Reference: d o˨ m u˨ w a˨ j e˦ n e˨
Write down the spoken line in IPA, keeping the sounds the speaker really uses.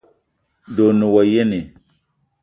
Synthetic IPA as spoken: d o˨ n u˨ w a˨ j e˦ n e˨